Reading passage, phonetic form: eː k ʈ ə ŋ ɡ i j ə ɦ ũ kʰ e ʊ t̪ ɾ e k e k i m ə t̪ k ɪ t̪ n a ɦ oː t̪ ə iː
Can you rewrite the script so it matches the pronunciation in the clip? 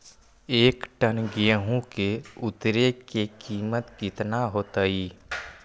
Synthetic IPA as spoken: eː k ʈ ə n ɡ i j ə ɦ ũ k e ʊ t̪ ɾ e k e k iː m ə t̪ k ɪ t̪ n a ɦ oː t̪ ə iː